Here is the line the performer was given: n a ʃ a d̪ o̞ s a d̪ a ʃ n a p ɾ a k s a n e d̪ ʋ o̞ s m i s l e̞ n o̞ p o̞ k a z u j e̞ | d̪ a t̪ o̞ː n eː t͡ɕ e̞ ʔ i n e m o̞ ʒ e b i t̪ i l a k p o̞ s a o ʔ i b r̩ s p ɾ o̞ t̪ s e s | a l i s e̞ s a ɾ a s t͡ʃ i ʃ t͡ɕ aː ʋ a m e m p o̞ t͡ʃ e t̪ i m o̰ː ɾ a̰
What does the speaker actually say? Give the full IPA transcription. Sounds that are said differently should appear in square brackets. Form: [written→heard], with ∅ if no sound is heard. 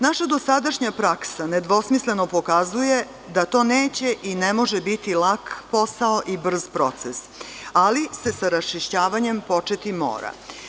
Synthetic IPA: n a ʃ a d̪ o̞ s a d̪ a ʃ [n→ɲ] a p ɾ a k s a n e d̪ ʋ o̞ s m i s l e̞ n o̞ p o̞ k a z u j e̞ | d̪ a t̪ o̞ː n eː t͡ɕ e̞ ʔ i n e m o̞ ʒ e b i t̪ i l a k p o̞ s a o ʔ i b r̩ [s→z] p ɾ o̞ t̪ s e s | a l i s e̞ s a ɾ a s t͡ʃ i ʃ t͡ɕ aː ʋ a [m→ɲ] e m p o̞ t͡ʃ e t̪ i m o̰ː ɾ a̰